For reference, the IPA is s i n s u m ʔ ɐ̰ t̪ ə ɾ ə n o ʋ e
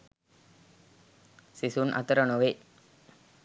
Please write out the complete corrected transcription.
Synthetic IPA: s i s u n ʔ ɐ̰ t̪ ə ɾ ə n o ʋ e